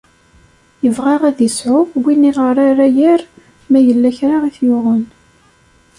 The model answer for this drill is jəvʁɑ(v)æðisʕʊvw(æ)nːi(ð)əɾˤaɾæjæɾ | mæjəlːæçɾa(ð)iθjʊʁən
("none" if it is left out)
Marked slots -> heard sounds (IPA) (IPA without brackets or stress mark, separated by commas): ʁ, i, ʁ, ʁ